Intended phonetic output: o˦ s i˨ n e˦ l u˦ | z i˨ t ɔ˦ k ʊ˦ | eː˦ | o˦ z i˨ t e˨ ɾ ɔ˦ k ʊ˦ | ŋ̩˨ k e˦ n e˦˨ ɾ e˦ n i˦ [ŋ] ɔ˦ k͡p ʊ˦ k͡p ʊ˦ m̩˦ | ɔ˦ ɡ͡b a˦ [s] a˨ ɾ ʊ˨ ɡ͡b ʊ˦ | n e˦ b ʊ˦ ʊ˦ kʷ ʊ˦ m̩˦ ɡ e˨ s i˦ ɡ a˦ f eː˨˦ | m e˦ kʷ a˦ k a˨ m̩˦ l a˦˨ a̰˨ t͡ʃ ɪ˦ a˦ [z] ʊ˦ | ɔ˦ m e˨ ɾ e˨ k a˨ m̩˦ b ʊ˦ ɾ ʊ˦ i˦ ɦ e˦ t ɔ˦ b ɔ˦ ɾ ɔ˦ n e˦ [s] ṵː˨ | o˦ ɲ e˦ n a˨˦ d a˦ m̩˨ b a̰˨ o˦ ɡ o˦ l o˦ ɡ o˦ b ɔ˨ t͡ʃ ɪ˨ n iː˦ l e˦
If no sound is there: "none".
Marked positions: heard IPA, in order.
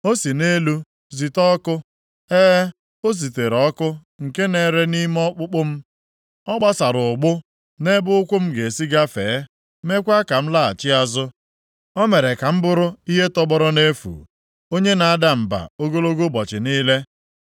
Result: m, s, z, f

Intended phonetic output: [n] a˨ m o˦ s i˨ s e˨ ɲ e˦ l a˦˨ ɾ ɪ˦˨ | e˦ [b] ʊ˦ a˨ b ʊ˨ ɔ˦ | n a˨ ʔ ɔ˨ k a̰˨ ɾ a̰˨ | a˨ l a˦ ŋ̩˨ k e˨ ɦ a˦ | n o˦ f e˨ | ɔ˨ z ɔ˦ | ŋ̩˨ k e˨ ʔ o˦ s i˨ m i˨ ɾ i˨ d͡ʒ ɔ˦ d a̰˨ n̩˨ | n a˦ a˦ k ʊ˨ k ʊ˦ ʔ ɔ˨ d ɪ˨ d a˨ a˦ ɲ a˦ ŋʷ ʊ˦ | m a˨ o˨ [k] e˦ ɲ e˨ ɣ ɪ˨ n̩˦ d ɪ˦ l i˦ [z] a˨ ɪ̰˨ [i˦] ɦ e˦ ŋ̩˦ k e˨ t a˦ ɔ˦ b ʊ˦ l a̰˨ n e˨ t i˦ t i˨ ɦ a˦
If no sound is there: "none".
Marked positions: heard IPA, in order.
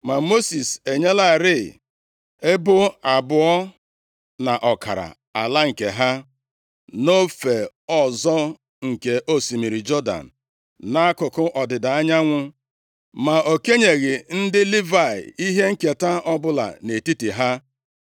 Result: m, b, k, v, i˦

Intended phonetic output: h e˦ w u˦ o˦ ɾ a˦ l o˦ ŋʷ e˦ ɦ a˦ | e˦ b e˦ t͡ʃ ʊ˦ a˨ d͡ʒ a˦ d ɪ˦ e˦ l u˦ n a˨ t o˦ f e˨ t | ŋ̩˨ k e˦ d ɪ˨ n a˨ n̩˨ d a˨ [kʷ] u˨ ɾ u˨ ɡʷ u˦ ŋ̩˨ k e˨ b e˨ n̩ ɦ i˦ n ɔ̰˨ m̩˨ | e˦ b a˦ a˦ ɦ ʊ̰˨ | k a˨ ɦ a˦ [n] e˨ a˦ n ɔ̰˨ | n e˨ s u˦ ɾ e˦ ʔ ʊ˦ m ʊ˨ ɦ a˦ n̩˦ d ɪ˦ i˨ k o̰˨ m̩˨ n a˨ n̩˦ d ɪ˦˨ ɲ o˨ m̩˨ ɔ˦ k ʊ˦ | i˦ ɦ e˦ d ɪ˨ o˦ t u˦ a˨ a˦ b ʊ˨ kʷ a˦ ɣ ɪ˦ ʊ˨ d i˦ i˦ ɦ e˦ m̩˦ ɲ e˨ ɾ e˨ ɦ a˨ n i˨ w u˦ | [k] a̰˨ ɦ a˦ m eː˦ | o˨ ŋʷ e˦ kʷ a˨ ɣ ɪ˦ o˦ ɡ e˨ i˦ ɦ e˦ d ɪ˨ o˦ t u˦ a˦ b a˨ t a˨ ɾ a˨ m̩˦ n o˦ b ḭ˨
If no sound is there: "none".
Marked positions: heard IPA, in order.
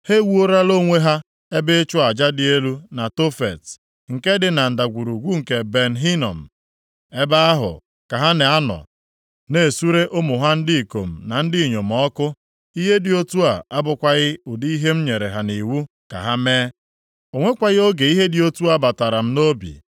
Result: ɡʷ, n, k

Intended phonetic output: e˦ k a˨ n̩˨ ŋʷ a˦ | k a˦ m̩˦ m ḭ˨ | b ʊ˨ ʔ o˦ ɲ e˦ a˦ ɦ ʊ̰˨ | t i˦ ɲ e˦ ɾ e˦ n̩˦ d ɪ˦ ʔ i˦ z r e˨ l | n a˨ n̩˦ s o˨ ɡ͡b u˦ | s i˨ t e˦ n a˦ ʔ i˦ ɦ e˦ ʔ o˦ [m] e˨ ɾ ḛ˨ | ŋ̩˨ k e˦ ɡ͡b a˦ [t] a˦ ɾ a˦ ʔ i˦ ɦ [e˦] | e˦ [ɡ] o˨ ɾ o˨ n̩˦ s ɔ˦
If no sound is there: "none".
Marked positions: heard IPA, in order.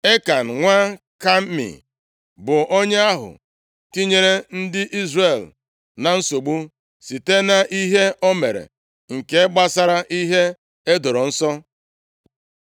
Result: m, s, e˦, d

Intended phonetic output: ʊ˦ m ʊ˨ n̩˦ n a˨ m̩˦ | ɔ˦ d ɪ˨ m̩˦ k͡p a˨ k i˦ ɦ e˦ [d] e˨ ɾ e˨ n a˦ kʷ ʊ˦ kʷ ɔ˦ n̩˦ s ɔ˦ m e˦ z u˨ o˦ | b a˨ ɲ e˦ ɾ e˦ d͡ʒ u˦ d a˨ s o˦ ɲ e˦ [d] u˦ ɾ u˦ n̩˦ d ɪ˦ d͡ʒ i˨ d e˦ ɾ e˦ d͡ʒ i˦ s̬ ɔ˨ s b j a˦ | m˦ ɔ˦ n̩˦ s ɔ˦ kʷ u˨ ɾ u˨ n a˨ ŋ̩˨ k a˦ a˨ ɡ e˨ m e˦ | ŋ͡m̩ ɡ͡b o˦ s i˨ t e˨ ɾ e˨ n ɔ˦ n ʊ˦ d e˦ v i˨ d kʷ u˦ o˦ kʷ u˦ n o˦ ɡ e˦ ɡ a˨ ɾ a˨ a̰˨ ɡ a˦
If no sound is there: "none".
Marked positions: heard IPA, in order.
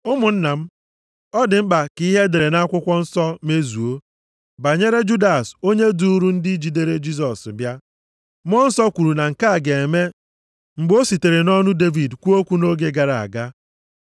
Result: d, d

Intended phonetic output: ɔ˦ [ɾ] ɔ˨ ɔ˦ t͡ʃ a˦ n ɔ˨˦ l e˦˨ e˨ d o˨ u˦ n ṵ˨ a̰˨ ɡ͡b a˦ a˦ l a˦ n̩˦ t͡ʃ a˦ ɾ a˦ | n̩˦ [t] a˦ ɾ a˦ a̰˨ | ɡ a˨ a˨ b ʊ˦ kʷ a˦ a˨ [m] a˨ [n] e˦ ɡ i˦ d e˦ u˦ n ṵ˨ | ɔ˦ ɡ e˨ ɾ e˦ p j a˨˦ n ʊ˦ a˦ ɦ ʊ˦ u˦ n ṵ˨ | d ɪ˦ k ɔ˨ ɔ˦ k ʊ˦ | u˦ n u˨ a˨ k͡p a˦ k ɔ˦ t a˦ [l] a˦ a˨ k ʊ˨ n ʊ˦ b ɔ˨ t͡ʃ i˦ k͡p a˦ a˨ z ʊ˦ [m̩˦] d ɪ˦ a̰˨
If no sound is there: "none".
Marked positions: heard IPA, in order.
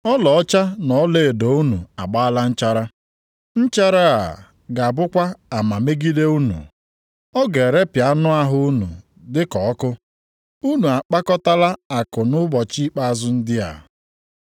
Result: l, t͡ʃ, m, m, l, n̩˦

